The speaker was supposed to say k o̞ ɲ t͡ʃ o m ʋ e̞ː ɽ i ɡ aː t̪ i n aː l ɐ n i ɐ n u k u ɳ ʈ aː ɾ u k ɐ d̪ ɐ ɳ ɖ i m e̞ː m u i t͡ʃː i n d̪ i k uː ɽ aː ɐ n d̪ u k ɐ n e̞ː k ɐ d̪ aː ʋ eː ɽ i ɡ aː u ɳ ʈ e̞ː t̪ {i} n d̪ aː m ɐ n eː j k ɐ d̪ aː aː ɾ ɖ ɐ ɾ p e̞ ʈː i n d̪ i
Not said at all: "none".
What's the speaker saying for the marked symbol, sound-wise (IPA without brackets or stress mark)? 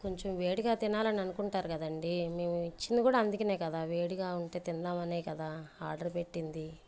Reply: i